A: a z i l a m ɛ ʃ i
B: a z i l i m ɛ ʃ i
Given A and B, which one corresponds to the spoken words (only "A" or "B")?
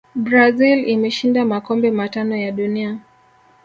B